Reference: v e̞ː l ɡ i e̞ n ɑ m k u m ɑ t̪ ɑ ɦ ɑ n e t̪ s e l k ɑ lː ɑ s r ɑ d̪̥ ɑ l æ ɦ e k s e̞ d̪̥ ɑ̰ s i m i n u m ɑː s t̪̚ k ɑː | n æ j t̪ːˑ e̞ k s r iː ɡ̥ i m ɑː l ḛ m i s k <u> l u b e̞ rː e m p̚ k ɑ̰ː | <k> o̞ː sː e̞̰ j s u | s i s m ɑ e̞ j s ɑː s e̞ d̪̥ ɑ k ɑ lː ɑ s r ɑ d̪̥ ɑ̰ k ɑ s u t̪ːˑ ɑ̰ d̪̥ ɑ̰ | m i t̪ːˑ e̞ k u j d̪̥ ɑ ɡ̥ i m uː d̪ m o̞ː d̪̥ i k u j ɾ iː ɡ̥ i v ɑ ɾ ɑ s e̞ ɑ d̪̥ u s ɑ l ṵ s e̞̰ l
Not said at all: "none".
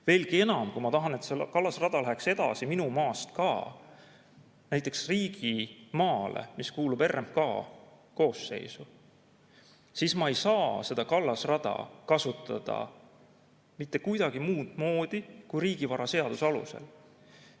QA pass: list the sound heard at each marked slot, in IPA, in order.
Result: uː, k

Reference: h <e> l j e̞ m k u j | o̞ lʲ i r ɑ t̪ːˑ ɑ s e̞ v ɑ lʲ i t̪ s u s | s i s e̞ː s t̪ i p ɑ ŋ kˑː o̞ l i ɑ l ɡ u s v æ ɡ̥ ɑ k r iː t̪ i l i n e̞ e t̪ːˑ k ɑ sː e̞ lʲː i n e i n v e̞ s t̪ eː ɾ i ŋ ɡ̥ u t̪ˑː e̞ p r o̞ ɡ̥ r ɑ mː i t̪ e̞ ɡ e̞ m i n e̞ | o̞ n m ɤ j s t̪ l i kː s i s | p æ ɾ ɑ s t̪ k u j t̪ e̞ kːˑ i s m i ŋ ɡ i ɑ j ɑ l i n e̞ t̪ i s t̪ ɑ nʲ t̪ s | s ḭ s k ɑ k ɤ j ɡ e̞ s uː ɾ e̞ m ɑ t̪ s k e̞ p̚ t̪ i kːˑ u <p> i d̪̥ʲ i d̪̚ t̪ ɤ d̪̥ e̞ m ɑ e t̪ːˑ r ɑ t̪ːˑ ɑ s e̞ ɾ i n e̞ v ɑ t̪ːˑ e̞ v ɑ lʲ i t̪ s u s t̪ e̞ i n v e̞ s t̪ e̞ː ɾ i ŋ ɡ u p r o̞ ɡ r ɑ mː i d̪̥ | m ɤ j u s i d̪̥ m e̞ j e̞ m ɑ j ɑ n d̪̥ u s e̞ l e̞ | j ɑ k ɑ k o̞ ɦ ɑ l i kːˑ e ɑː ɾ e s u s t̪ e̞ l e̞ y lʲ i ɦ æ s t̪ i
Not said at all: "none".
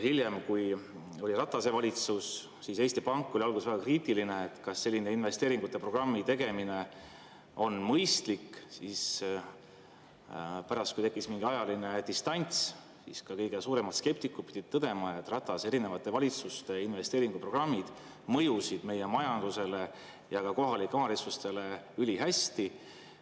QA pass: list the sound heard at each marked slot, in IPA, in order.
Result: i, p

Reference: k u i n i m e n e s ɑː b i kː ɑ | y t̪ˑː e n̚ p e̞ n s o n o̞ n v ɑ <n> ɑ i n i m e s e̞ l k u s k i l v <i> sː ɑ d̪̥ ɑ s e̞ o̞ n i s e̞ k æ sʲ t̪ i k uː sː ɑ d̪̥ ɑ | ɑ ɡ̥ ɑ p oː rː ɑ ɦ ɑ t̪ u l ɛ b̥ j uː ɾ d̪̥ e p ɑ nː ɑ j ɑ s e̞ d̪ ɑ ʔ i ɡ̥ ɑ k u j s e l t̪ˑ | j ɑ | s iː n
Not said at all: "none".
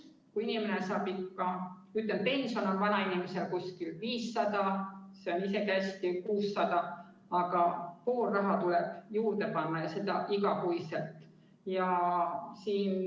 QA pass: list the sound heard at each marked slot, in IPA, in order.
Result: n, iː

